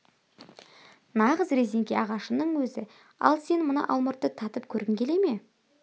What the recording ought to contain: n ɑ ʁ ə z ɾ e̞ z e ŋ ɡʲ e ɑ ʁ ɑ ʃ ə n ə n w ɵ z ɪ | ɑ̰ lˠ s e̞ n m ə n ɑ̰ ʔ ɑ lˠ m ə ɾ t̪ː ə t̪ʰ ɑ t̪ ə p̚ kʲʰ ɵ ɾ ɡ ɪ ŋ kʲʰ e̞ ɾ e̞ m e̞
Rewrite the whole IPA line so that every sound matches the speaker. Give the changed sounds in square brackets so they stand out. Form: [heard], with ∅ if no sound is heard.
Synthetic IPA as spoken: n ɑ ʁ ə z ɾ e̞ z e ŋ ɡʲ e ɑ ʁ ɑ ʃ ə n ə [ɴ] w ɵ z ɪ | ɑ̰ lˠ s e̞ n m ə n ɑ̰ ʔ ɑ lˠ m ə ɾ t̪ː ə t̪ʰ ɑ t̪ ə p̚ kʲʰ ɵ ɾ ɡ ɪ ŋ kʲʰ e̞ [l] e̞ m e̞